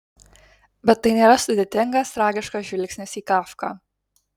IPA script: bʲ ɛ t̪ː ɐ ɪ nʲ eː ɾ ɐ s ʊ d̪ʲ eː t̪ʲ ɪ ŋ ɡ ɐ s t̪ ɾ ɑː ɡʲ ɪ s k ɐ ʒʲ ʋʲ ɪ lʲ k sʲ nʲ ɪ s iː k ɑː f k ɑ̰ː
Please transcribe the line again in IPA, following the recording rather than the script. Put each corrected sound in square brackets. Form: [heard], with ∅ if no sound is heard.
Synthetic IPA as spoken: bʲ ɛ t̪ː ɐ ɪ nʲ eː ɾ ɐ s ʊ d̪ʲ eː t̪ʲ ɪ ŋ ɡ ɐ s t̪ ɾ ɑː ɡʲ ɪ [ʃ] k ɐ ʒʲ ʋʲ ɪ lʲ k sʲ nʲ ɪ s iː k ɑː f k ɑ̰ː